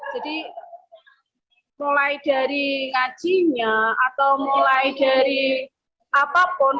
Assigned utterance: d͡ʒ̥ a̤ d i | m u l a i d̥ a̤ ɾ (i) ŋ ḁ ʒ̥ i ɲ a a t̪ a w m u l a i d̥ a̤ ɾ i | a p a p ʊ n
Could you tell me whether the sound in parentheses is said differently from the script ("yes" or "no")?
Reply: no